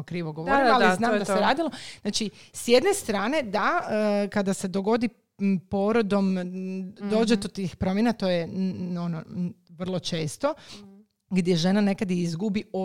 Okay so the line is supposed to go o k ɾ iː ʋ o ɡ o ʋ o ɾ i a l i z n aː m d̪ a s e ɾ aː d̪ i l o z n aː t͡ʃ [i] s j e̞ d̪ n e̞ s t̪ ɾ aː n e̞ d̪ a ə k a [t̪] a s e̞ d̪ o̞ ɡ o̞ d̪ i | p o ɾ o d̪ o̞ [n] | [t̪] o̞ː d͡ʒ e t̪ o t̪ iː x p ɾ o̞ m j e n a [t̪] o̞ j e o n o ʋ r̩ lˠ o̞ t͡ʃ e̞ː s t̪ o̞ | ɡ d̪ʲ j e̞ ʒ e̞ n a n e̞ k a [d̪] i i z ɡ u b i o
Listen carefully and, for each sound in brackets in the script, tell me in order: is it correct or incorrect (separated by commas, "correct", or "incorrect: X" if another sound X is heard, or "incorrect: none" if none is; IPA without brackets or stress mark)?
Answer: correct, incorrect: d̪, incorrect: m, incorrect: d̪, correct, correct